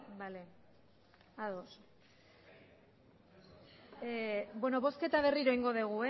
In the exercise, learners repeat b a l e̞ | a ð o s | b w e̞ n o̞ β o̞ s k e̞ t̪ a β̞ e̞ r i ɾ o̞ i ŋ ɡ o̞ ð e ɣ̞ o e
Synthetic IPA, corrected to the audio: b a l e̞ | a ð o s | b w e̞ n o̞ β o̞ s k e̞ t̪ a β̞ e̞ r i ɾ o̞ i ŋ ɡ o̞ ð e ɣ̞ u e